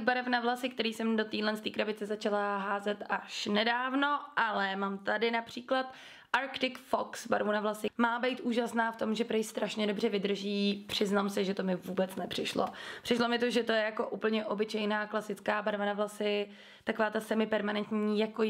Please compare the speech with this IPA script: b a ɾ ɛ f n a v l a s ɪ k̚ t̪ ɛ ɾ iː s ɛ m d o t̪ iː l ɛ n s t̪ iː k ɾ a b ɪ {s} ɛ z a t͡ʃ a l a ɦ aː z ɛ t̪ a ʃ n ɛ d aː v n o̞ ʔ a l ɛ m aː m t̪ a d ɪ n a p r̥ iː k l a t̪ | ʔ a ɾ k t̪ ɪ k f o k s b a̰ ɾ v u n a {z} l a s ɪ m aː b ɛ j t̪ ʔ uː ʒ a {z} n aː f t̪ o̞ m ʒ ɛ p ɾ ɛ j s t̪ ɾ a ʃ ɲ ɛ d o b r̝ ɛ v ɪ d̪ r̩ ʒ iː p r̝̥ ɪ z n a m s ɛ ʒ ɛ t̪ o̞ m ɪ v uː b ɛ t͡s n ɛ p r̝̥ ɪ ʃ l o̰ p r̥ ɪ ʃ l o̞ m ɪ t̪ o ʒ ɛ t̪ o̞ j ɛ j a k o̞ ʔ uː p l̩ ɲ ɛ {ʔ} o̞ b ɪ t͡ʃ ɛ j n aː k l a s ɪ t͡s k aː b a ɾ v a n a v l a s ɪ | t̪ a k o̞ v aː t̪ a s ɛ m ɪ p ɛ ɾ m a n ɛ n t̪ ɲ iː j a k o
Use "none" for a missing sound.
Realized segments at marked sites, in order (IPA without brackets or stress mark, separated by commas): t͡s, v, s, ʔ